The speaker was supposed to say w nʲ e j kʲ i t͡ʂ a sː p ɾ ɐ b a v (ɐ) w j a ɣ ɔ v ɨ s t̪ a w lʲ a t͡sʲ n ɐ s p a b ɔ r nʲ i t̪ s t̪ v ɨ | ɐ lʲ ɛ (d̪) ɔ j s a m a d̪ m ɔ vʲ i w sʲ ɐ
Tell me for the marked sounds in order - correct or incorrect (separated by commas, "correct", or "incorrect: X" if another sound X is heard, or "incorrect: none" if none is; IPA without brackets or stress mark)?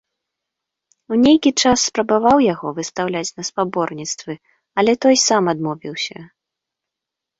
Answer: incorrect: a, incorrect: t̪